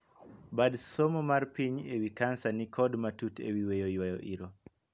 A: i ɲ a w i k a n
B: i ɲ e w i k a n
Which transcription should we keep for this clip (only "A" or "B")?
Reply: B